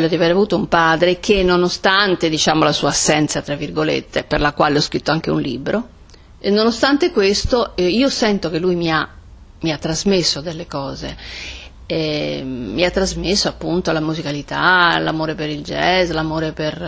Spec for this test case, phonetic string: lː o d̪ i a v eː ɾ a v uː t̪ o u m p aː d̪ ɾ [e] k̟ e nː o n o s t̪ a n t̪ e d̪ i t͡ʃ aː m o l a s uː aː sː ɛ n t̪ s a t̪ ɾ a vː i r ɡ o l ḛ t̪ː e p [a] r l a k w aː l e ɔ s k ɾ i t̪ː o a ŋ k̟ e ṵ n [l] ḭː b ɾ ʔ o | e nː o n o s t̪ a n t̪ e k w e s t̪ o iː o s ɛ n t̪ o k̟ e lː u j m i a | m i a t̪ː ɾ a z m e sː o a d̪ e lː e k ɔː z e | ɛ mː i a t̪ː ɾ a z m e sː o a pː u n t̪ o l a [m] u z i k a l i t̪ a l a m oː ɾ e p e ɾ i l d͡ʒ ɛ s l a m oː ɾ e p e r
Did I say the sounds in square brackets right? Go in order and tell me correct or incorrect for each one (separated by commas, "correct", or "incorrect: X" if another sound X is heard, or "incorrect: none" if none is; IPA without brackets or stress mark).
correct, incorrect: e, correct, correct